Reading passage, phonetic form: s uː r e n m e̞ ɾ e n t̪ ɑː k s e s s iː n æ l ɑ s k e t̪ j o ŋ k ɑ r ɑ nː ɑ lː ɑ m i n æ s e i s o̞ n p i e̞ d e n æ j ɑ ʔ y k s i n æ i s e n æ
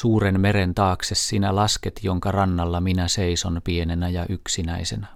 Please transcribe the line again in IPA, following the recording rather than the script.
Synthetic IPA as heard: s uː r e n m e̞ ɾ e n t̪ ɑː k s e s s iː n æ l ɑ s k e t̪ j o ŋ k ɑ r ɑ nː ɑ lː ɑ m i n æ s e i s o̞ n p i e̞ n e n æ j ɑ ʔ y k s i n æ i s e n æ